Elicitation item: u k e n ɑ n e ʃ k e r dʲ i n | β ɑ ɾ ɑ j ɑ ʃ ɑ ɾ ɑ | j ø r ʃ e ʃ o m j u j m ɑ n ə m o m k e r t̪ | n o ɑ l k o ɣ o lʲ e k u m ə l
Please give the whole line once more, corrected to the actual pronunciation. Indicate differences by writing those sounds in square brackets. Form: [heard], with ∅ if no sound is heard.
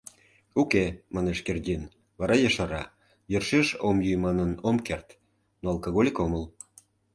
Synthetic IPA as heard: u k e [m] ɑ n e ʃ k e r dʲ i n | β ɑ ɾ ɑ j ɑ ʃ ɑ ɾ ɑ | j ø r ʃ e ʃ o m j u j m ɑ n ə [n] o m k e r t̪ | n o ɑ l k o ɣ o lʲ [i] k [o] m ə l